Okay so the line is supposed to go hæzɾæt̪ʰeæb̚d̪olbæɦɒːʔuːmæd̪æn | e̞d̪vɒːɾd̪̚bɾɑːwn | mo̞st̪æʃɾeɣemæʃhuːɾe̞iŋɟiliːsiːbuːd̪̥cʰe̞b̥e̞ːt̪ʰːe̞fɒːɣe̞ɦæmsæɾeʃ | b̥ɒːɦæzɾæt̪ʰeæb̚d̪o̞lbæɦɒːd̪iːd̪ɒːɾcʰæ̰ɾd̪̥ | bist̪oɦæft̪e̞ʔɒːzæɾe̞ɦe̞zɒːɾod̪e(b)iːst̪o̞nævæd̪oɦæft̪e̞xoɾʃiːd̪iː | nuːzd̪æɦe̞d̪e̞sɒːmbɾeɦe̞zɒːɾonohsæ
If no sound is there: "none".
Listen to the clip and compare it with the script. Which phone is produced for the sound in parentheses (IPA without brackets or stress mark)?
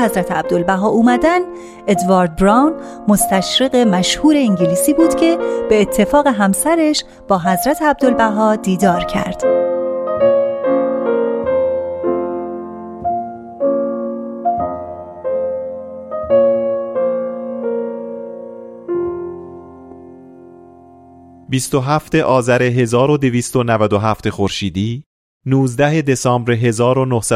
v